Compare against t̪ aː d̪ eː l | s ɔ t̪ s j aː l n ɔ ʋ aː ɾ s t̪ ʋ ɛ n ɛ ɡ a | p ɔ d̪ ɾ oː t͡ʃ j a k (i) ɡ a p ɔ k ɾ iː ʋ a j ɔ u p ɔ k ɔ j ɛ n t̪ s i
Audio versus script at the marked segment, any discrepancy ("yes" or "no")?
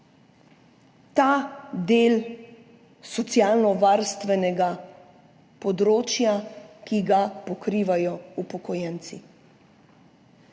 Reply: no